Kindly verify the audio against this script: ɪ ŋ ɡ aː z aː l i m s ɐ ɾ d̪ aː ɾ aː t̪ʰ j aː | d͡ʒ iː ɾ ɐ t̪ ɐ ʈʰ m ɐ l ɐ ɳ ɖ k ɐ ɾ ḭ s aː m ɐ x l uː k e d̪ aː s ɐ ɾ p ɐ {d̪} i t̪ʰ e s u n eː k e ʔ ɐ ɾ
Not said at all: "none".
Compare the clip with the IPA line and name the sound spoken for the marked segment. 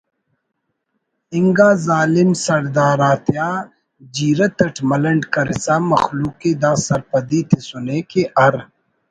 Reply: d̪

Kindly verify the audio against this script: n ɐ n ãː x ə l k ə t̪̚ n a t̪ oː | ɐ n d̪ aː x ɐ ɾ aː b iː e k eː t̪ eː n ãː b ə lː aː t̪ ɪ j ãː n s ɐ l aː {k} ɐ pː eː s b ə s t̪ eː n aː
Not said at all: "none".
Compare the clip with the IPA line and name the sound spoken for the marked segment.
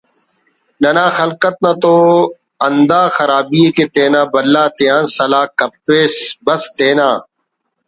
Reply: k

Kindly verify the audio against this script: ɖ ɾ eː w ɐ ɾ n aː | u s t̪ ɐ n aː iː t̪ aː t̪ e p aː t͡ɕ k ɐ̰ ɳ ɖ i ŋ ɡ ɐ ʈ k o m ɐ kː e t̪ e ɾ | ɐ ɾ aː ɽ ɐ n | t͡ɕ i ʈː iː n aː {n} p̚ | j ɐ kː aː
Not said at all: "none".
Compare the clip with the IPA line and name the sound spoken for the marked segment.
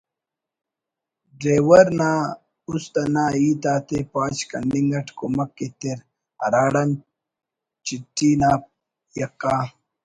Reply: none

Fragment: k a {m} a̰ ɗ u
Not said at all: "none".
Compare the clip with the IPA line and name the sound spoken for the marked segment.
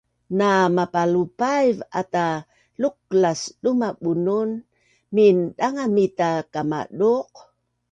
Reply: m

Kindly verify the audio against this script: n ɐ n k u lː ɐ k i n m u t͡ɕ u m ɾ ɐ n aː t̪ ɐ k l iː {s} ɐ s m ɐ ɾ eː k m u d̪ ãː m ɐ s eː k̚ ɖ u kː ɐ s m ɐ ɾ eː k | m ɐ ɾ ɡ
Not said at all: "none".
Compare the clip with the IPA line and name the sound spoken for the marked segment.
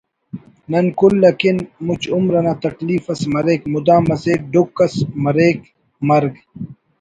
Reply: f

